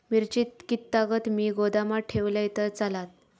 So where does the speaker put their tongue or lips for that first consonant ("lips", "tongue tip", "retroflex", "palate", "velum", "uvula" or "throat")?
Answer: lips